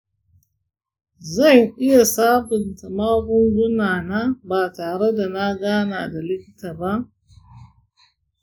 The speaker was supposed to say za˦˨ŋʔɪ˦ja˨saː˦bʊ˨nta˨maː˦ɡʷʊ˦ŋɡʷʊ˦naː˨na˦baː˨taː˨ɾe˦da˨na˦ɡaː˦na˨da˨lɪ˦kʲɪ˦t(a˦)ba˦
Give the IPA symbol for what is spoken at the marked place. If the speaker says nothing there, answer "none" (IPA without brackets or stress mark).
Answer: a˨